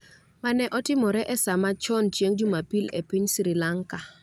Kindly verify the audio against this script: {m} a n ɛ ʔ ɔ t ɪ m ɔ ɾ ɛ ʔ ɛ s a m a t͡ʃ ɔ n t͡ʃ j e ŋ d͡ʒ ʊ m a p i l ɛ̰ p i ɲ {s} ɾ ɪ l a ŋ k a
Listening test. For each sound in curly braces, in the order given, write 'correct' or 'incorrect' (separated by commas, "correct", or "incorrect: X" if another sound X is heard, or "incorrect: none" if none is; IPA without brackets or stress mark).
correct, correct